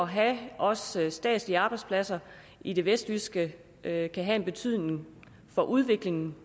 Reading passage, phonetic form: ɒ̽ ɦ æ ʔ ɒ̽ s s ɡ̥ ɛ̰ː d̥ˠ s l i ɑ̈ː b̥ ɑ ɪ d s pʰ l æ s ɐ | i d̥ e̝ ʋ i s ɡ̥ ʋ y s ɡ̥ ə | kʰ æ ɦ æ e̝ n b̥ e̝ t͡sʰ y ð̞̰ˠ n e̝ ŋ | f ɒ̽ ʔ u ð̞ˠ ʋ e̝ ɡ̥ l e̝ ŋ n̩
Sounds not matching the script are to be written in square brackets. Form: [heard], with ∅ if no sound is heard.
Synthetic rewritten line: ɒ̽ ɦ æ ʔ ɒ̽ s s [d̥] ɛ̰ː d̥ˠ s l i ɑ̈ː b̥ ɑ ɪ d s pʰ l æ s ɐ | i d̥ e̝ ʋ [e] s [d̥] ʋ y s ɡ̥ ə | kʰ æ ɦ æ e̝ n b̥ e̝ t͡sʰ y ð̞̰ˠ n e̝ ŋ | f ɒ̽ ʔ u ð̞ˠ ʋ e̝ ɡ̥ l e̝ ŋ n̩